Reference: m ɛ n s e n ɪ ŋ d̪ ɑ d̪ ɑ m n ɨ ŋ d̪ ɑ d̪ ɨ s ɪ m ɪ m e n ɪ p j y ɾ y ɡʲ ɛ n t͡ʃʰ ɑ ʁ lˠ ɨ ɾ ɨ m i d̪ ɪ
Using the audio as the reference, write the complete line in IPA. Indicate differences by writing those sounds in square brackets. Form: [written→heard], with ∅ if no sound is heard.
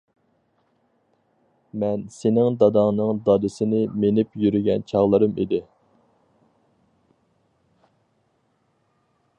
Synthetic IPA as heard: m ɛ n s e n ɪ ŋ d̪ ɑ d̪ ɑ [m→ŋ] n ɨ ŋ d̪ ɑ d̪ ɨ s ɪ [m→n] ɪ m e n ɪ p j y ɾ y ɡʲ ɛ n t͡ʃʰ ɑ ʁ lˠ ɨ ɾ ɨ m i d̪ ɪ